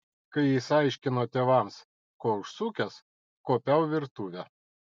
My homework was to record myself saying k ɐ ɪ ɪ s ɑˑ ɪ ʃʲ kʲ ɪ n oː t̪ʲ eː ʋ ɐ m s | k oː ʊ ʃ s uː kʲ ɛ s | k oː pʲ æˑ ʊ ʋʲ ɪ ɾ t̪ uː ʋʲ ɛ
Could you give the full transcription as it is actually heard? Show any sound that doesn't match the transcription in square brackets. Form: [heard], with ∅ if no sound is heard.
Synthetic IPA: k ɐ ɪ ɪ s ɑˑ ɪ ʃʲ kʲ ɪ n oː t̪ʲ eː ʋ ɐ m s | k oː ʊ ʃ s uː kʲ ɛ s | k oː pʲ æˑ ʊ ʋʲ ɪ ɾ t̪ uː ʋʲ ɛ

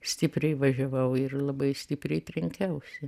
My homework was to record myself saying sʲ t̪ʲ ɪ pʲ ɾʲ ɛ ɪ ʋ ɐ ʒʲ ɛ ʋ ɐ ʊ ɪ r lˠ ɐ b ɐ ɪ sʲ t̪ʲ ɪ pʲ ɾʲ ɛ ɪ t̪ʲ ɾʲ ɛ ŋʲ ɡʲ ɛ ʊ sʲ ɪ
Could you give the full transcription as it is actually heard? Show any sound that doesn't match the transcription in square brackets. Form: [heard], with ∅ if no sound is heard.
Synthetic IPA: sʲ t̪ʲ ɪ pʲ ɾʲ ɛ ɪ ʋ ɐ ʒʲ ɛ ʋ ɐ ʊ ɪ r lˠ ɐ b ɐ ɪ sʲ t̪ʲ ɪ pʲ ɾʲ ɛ ɪ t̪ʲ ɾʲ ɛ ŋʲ [kʲ] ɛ ʊ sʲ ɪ

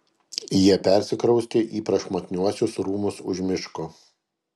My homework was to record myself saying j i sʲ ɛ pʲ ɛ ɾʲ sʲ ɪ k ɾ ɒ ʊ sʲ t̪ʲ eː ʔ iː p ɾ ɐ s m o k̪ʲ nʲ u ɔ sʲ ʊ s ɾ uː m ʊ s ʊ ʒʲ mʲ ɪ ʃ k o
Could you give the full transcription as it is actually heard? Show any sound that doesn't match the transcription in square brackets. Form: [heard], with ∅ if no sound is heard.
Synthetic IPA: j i [∅] ɛ pʲ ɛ ɾʲ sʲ ɪ k ɾ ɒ ʊ sʲ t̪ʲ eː ʔ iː p ɾ ɐ [ʃ] m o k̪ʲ nʲ u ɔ sʲ ʊ s ɾ uː m ʊ s ʊ ʒʲ mʲ ɪ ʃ k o

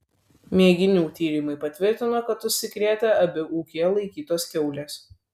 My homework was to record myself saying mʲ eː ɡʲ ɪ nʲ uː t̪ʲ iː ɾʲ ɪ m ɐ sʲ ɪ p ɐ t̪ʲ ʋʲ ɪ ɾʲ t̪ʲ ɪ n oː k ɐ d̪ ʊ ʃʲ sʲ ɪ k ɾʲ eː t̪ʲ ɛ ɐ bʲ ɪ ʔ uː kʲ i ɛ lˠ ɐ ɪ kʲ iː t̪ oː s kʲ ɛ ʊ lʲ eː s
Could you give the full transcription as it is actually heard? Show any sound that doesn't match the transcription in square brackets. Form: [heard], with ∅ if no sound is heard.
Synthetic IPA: mʲ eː ɡʲ ɪ nʲ uː t̪ʲ iː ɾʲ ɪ m ɐ [∅] ɪ p ɐ t̪ʲ ʋʲ ɪ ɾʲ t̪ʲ ɪ n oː k ɐ [t̪] ʊ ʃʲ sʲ ɪ k ɾʲ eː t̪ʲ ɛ ɐ bʲ ɪ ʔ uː kʲ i ɛ lˠ ɐ ɪ kʲ iː t̪ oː s kʲ ɛ ʊ lʲ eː s

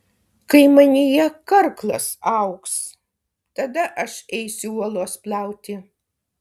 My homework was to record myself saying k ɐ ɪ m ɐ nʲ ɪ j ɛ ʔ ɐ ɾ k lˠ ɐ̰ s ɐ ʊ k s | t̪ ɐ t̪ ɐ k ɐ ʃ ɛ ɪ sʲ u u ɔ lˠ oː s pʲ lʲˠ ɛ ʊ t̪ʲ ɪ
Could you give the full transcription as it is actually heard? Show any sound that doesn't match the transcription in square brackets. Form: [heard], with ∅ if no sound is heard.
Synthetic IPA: k ɐ ɪ m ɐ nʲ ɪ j ɛ [k] ɐ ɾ k lˠ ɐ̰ s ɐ ʊ k s | t̪ ɐ [d̪] ɐ [ʔ] ɐ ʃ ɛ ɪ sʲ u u ɔ lˠ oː s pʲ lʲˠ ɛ ʊ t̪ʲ ɪ

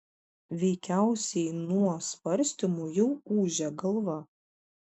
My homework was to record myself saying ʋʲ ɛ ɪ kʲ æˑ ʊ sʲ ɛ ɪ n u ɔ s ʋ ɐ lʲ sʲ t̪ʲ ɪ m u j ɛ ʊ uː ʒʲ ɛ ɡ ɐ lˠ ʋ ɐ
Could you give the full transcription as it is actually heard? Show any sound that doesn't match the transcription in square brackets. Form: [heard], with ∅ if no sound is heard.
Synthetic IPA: ʋʲ ɛ ɪ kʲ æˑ ʊ sʲ ɛ ɪ n u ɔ s ʋ ɐ [ɾʲ] sʲ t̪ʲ ɪ m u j ɛ ʊ uː ʒʲ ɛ ɡ ɐ lˠ ʋ ɐ

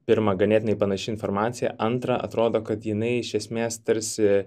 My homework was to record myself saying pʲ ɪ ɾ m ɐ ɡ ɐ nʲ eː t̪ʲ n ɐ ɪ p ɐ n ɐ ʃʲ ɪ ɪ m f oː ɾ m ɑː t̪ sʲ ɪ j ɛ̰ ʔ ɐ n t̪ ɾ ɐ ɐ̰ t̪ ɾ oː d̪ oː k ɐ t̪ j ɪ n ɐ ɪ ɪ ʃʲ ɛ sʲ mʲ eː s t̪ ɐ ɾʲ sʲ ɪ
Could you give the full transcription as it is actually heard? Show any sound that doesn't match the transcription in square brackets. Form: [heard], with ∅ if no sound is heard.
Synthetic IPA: pʲ ɪ ɾ m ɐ ɡ ɐ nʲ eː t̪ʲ n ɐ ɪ p ɐ n ɐ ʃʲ ɪ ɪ [n] f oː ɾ m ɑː t̪ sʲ ɪ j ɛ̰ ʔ ɐ n t̪ ɾ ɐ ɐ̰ t̪ ɾ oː d̪ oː k ɐ t̪ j ɪ n ɐ ɪ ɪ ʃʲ ɛ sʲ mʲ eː s t̪ ɐ ɾʲ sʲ ɪ

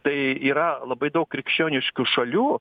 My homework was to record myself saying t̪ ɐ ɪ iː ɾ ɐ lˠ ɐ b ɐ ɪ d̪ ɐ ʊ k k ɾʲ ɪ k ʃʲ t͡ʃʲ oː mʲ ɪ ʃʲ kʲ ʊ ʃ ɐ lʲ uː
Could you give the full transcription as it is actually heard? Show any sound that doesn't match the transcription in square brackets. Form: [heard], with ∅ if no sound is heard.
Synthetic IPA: t̪ ɐ ɪ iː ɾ ɐ lˠ ɐ b ɐ ɪ d̪ ɐ ʊ k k ɾʲ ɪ k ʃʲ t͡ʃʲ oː [nʲ] ɪ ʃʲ kʲ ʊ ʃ ɐ lʲ uː

